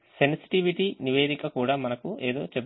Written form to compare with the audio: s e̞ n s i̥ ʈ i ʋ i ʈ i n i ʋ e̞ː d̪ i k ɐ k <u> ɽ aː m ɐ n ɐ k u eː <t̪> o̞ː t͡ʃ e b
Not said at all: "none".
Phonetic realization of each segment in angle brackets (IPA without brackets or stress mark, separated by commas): uː, d̪